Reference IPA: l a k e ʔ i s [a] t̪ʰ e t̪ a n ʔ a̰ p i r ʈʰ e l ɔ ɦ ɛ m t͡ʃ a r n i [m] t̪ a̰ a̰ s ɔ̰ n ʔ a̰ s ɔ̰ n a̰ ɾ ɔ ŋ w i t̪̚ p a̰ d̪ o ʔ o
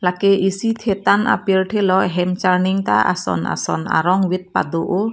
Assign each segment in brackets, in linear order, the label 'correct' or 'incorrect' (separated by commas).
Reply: incorrect, incorrect